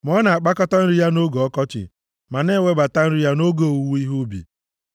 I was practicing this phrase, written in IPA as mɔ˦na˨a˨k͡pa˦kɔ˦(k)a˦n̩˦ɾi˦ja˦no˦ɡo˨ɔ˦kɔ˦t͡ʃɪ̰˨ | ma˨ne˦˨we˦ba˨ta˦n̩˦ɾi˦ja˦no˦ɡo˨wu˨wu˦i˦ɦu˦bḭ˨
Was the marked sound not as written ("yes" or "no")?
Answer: yes